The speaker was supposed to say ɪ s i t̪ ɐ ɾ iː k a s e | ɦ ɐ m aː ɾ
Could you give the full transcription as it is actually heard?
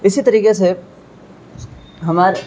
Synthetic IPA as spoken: ɪ s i t̪ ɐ ɾ iː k e s e | ɦ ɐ m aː ɾ